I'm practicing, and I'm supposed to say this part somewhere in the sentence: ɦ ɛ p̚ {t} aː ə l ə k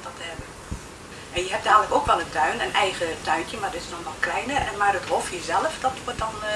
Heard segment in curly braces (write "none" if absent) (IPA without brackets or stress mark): d